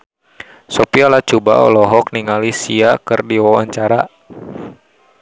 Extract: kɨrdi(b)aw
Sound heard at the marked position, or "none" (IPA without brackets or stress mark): w